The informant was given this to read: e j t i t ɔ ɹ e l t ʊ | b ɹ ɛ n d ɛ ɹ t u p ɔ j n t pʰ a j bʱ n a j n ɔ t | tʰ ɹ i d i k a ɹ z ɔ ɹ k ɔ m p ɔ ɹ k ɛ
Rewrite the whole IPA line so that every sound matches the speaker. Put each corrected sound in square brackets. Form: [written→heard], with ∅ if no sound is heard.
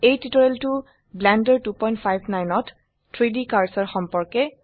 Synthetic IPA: e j t i t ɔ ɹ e l t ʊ | b [ɹ→l] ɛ n d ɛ ɹ t u p ɔ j n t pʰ a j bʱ n a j n ɔ t | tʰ ɹ i d i k a ɹ [z→s] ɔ ɹ [k→x] ɔ m p ɔ ɹ k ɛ